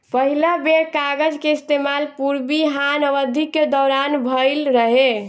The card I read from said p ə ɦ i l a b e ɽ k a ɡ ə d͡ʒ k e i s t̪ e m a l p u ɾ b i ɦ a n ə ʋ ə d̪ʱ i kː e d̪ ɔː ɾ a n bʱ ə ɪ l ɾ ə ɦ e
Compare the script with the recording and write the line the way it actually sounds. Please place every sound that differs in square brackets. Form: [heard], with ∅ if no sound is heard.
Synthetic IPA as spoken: p ə ɦ i l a b e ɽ k a ɡ ə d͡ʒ k e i s t̪ e m a l p u ɾ b i ɦ a n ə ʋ ə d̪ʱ i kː e d̪ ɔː ɾ a n bʱ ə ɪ l ɾ ə ɦ e